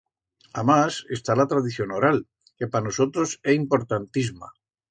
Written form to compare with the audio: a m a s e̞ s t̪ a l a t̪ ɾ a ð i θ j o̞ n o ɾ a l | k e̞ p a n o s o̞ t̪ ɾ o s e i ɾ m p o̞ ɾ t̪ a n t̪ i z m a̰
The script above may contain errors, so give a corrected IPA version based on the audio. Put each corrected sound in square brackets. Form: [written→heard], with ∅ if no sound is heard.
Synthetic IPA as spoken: a m a s e̞ s t̪ a l a t̪ ɾ a ð i θ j o̞ n o ɾ a l | k e̞ p a n o s o̞ t̪ ɾ o s e i [ɾ→∅] m p o̞ ɾ t̪ a n t̪ i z m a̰